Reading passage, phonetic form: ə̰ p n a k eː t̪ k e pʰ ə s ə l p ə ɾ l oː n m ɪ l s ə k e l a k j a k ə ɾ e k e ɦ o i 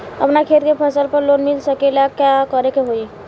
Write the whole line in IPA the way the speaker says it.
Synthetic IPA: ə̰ p n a kʰ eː t̪ k e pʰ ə s ə l p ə ɾ l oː n m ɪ l s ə k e l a k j a k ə ɾ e k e ɦ o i